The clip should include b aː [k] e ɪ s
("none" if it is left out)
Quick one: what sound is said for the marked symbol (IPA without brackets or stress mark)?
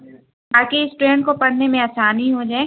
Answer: k